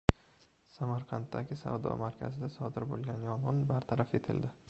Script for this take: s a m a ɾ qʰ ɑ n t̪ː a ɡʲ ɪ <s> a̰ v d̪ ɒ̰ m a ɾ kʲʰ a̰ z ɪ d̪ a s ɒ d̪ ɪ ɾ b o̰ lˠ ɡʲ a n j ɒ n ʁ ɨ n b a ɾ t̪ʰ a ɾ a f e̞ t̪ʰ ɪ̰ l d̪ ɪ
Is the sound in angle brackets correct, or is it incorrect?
correct